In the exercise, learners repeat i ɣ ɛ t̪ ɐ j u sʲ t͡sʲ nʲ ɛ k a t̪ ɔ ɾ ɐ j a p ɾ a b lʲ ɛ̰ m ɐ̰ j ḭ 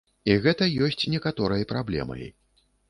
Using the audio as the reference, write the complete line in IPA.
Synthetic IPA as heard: i ɣ ɛ t̪ ɐ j ɔ sʲ t͡sʲ nʲ ɛ k a t̪ ɔ ɾ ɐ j ɐ p ɾ a b lʲ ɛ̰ m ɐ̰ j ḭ

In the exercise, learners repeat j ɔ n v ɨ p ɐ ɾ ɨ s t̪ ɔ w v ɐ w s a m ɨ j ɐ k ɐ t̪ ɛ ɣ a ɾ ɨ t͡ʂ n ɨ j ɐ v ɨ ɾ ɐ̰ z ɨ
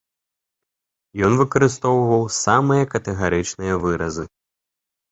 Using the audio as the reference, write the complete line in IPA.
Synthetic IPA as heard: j ɔ n v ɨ k ɐ ɾ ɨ s t̪ ɔ w v ɐ w s a m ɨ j ɐ k ɐ t̪ ɛ ɣ a ɾ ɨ t͡ʂ n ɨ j ɐ v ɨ ɾ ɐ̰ z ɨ

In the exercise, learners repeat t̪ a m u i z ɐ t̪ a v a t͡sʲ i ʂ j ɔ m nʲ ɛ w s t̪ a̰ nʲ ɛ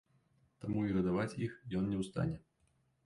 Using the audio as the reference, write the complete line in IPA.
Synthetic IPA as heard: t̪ a m u i ɣ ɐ d̪ a v a t͡sʲ i x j ɔ n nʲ ɛ w s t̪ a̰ nʲ ɛ

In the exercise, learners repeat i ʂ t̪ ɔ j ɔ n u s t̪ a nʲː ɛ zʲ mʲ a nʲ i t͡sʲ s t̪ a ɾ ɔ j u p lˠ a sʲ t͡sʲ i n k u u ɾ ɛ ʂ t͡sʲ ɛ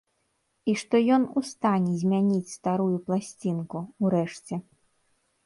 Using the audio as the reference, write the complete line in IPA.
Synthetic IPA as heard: i ʂ t̪ ɔ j ɔ n u s t̪ a nʲ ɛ zʲ mʲ a nʲ i t͡sʲ s t̪ a ɾ u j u p lˠ a sʲ t͡sʲ i n k u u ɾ ɛ ʂ t͡sʲ ɛ

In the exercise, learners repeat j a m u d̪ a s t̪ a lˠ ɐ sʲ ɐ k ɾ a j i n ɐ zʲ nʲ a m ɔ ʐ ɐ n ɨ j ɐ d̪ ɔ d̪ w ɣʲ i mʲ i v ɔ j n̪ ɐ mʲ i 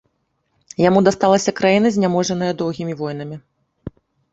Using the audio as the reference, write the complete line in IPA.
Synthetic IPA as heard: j a m u d̪ a s t̪ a lˠ ɐ sʲ ɐ k ɾ a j i n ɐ zʲ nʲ a m ɔ ʐ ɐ n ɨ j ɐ d̪ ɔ w ɣʲ i mʲ i v ɔ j n̪ ɐ mʲ i

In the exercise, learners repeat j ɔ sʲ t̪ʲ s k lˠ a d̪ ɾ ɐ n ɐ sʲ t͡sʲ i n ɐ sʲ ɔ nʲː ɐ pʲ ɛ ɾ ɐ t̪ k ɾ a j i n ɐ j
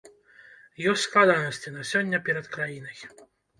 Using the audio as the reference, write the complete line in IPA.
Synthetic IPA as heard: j ɔ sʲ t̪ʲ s k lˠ a d̪ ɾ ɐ n ɐ sʲ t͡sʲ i n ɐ sʲ ɔ nʲː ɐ pʲ ɛ ɾ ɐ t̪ k ɾ a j i n ɐ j

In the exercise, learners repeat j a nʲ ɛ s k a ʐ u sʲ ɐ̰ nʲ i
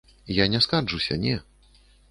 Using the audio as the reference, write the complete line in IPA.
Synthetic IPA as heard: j a nʲ ɛ s k a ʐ u sʲ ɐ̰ nʲ ɛ

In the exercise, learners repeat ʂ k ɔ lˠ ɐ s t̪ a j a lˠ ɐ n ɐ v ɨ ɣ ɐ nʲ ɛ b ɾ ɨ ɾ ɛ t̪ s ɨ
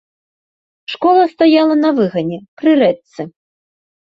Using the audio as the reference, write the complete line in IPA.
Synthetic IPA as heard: ʂ k ɔ lˠ ɐ s t̪ a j a lˠ ɐ n ɐ v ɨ ɣ ɐ nʲ ɛ p ɾ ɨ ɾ ɛ t̪ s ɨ

